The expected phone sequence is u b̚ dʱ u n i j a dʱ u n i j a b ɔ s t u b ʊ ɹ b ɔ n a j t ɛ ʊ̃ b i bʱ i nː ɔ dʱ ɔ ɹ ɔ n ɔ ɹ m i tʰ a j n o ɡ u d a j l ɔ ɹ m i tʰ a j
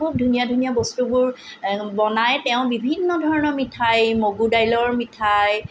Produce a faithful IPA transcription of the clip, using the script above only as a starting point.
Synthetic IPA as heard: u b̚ dʱ u n i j a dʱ u n i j a b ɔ s t u b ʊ ɹ b ɔ n a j t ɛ ʊ̃ b i bʱ i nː ɔ dʱ ɔ ɹ ɔ n ɔ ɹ m i tʰ a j m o ɡ u d a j l ɔ ɹ m i tʰ a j